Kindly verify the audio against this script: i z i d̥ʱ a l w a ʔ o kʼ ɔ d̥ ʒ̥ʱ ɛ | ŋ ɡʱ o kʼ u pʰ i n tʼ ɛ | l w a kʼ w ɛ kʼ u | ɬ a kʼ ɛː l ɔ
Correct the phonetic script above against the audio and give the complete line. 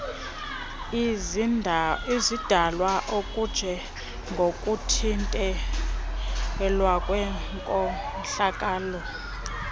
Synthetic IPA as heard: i z i d̥ʱ a l w a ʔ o kʼ u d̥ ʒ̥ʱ ɛ | ŋ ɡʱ o kʼ u tʰ i n tʼ ɛ | l w a kʼ w ɛ kʼ ɔ | ɬ a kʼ aː l ɔ

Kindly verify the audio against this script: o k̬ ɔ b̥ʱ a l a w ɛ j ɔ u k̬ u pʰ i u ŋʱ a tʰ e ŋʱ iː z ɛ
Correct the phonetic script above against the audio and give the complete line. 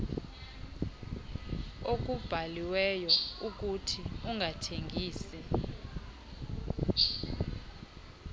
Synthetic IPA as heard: o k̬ u b̥ʱ a l i w ɛ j ɔ u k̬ u tʰ i u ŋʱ a tʰ e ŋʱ iː s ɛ

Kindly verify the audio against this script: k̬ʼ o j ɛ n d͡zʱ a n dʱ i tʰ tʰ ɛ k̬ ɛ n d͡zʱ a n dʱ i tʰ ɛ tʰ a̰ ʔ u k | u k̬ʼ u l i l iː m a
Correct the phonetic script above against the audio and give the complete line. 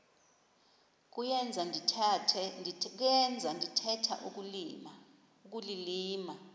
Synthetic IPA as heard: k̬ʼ u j ɛ n d͡zʱ a n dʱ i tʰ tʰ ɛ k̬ ɛ n d͡zʱ a n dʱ i tʰ ɛ tʰ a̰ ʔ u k | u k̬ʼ u l i l iː m a

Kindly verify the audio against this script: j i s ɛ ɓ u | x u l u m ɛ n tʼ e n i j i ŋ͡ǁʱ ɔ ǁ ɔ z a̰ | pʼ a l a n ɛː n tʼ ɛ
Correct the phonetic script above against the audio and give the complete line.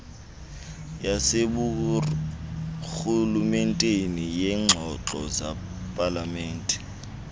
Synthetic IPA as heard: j a s e ɓ u | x u l u m ɛ n tʼ e n i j ɛ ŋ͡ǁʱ ɔ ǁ ɔ z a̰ | pʼ a l a m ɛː n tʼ ɛ

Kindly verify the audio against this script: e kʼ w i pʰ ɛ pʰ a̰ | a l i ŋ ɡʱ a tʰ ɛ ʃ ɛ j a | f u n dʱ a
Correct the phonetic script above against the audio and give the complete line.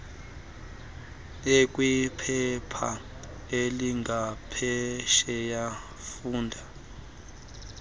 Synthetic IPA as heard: e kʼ w i pʰ ɛ pʰ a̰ | e l i ŋ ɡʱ a pʰ ɛ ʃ ɛ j a | f uː n dʱ a

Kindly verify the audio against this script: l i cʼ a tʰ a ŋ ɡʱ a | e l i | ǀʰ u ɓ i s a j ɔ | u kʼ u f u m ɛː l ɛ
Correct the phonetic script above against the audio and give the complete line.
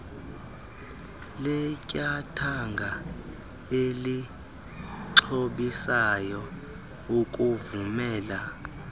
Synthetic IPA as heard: l ɛ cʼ a tʰ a ŋ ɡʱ a | e l i | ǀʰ o ɓ i s a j ɔ | u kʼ u v u m ɛː l a

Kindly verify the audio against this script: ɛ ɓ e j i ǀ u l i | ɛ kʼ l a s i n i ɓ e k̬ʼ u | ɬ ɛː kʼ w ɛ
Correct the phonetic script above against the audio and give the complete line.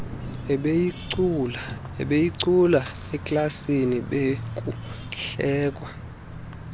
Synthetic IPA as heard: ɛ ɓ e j i ǀ u l a | ɛ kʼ l a s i n i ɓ e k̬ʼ u | ɬ ɛː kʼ w a

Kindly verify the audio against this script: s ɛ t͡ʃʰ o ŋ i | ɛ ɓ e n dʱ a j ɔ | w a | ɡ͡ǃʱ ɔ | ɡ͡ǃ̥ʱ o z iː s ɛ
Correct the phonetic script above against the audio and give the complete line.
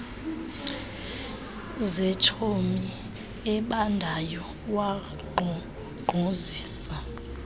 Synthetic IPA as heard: z ɛ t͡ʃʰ o m i | ɛ ɓ a n dʱ a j ɔ | w a | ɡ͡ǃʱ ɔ | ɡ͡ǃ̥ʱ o z iː s a

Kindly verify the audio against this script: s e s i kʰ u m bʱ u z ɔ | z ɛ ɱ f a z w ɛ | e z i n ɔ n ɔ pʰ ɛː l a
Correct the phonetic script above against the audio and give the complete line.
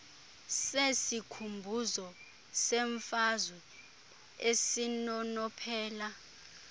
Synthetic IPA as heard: s e s i kʰ u m bʱ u z ɔ | s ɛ ɱ f a z w ɛ | e s i n ɔ n ɔ pʰ ɛː l a

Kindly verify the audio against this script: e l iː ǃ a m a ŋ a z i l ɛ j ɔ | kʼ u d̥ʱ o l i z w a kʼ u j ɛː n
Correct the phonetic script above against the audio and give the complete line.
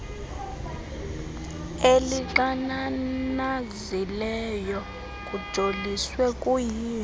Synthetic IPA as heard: e l i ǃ a n a n a z i l ɛ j ɔ | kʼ u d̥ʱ o l i s w ɛ kʼ u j iː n

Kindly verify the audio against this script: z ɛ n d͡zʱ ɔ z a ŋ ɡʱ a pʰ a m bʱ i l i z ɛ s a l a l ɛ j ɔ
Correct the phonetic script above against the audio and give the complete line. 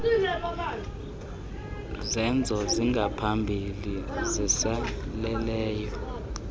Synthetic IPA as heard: z ɛ n d͡zʱ ɔ z i ŋ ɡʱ a pʰ a m bʱ i l i z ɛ s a l ɛ l ɛː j ɔ

